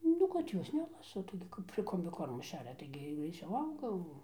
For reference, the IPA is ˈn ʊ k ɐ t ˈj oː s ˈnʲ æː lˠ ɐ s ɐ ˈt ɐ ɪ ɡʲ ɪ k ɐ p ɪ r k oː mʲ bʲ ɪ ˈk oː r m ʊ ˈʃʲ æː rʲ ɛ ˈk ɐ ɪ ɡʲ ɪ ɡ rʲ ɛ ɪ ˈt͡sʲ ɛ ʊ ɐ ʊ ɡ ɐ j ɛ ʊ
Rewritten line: ˈn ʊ k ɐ t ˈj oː s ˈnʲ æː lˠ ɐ s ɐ ˈt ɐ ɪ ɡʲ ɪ k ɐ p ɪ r k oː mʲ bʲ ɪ ˈk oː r m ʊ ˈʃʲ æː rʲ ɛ ˈt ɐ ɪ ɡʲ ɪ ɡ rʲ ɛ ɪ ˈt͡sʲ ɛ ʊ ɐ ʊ ɡ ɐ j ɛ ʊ